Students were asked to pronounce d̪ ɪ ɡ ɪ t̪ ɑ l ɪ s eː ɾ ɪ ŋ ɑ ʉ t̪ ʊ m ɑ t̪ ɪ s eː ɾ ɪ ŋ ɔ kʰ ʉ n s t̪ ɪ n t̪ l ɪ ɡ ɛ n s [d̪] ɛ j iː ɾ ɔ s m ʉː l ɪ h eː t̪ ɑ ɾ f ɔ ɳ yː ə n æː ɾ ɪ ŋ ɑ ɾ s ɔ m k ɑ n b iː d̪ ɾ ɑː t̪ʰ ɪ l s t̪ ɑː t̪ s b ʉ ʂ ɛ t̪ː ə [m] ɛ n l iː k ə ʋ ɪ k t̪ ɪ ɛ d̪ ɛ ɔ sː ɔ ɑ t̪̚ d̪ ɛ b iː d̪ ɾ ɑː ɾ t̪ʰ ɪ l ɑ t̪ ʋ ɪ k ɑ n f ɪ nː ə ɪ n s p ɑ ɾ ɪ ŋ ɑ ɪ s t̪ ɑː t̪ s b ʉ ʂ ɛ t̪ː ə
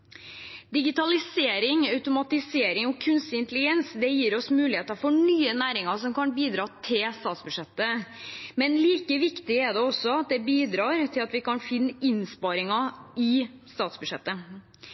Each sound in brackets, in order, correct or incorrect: correct, correct

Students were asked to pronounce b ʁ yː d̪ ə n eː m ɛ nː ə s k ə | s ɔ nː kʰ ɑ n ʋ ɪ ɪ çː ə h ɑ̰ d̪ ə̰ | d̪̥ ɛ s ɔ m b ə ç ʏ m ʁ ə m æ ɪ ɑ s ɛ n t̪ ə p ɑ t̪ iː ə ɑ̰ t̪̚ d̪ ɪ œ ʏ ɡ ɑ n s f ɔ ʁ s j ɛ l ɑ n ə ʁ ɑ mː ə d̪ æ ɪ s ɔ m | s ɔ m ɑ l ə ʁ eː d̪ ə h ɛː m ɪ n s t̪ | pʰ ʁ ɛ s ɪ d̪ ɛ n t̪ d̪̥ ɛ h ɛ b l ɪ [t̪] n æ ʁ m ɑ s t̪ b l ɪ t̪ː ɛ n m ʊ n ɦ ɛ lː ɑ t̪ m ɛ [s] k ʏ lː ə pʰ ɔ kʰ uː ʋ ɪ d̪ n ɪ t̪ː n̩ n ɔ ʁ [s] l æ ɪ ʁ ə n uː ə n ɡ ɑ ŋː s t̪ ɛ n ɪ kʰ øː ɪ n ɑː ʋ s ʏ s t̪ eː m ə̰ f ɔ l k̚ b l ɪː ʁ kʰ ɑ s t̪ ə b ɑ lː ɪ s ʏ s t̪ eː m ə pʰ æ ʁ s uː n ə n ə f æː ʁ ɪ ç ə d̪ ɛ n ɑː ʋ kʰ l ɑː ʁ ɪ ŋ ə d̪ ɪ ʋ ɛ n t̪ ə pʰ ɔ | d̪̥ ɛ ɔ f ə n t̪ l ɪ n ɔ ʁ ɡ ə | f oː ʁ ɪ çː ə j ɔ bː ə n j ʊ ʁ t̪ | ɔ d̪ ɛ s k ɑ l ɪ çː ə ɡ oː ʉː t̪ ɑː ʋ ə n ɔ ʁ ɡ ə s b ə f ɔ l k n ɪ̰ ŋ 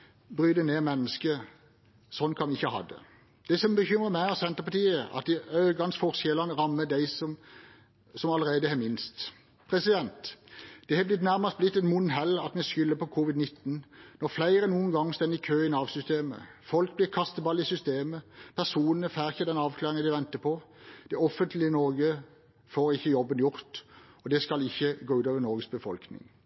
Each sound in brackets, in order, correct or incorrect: correct, correct, incorrect: f

